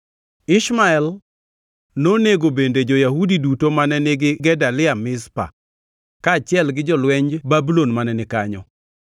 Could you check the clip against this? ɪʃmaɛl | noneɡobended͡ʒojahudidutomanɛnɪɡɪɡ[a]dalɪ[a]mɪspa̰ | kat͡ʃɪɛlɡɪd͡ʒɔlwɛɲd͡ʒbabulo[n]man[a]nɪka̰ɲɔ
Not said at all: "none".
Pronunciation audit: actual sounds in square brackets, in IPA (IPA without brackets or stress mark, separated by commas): ɛ, a, n, ɛ